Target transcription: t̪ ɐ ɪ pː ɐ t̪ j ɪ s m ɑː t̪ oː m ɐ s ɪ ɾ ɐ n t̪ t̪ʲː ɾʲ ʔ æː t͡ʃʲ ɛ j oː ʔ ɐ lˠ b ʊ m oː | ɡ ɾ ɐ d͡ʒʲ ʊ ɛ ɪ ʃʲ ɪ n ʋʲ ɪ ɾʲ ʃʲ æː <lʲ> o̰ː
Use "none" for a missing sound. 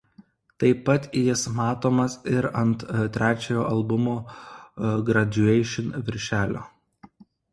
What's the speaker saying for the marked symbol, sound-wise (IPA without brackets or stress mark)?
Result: lʲ